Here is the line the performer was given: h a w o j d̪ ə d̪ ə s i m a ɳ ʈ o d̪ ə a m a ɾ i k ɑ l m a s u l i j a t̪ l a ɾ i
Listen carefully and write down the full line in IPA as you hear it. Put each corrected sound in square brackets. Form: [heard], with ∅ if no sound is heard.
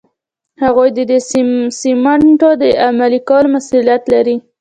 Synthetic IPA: h a [ɣ] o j d̪ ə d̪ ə s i m a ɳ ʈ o d̪ ə a m a [l] i k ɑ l m a s u l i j a t̪ l a ɾ i